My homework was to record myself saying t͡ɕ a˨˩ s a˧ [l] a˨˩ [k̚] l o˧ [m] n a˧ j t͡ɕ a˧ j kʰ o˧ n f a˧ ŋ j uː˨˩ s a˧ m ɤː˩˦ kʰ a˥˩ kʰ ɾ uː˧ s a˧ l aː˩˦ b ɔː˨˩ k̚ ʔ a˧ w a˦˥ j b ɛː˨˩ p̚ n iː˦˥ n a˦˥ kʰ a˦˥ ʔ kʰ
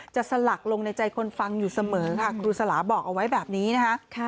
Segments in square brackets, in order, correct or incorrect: correct, correct, incorrect: ŋ

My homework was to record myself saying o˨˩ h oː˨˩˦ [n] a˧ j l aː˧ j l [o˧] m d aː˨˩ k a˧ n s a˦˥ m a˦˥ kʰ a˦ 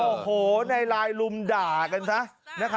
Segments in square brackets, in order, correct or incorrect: correct, incorrect: u˧

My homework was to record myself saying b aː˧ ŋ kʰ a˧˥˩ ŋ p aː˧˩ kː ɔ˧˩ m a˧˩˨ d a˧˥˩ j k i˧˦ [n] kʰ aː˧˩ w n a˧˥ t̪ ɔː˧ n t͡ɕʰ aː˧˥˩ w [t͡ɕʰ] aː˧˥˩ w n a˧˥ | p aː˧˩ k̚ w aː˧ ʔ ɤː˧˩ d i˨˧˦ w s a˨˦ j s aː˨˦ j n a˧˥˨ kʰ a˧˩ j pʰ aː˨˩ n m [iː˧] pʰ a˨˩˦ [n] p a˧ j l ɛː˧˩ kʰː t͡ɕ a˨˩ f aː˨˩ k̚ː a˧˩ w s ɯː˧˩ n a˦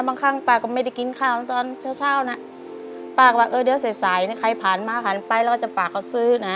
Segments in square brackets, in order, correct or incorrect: correct, correct, incorrect: aː˧, correct

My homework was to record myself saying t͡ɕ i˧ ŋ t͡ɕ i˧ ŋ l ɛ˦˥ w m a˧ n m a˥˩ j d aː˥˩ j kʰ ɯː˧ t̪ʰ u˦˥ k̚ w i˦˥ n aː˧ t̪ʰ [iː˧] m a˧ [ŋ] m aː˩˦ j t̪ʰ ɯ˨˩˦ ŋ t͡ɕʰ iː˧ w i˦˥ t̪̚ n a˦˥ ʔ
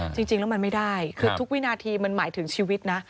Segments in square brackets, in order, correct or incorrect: correct, incorrect: n

